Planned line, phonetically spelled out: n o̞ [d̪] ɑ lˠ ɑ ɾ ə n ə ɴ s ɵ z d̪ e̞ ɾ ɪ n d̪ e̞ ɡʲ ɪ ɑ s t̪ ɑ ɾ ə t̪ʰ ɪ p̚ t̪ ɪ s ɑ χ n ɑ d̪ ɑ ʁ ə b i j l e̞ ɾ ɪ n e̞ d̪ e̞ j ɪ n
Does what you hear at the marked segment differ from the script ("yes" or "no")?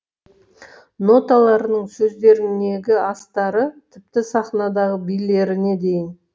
yes